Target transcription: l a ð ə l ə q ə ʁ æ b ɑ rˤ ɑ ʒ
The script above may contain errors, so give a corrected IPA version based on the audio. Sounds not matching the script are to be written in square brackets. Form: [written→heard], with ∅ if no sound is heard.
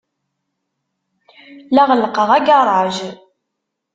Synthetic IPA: l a [ð→ʁ] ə l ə q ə ʁ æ [b→ɡ] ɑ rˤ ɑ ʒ